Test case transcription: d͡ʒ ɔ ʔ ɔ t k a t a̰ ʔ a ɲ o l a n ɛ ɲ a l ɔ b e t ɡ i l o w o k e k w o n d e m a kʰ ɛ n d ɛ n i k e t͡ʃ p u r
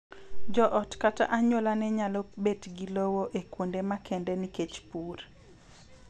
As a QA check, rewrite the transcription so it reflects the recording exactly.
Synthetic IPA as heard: d͡ʒ ɔ ʔ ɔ t k a t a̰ ʔ a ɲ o l a n ɛ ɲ a l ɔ b e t ɡ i l o w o ʔ e k w o n d e m a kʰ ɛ n d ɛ n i k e t͡ʃ p u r